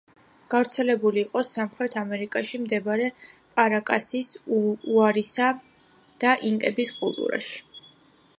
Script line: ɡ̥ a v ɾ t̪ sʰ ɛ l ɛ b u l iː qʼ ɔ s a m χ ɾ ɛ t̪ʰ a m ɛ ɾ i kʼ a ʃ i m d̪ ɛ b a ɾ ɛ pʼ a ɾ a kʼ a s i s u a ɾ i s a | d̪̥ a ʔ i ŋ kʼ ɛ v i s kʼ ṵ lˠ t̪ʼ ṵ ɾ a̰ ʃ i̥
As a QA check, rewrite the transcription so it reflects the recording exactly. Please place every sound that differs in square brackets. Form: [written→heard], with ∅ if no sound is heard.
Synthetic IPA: ɡ̥ a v ɾ t̪ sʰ ɛ l ɛ b u l iː qʼ ɔ s a m χ ɾ ɛ t̪ʰ a m ɛ ɾ i kʼ a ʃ i m d̪ ɛ b a ɾ ɛ pʼ a ɾ a kʼ a s i s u a ɾ i s a | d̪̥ a ʔ i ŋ kʼ ɛ [v→b] i s kʼ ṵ lˠ t̪ʼ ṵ ɾ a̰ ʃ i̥